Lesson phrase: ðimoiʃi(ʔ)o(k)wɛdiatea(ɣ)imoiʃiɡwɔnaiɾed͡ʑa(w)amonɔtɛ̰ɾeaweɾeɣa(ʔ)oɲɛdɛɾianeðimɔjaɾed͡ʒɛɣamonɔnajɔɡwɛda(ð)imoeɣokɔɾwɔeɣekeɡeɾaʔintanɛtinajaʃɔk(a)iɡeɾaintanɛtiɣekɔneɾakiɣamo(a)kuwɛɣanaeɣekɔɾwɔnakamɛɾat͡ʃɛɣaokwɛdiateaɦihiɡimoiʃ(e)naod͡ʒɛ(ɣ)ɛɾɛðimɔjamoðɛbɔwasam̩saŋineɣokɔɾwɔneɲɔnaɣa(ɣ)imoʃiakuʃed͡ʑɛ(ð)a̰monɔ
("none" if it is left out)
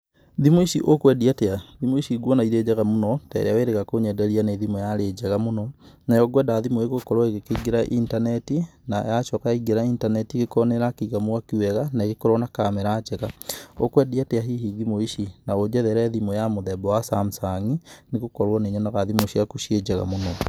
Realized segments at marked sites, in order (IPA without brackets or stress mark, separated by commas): ʔ, k, ð, ɣ, k, ð, a, a, i, ð, ð, ɣ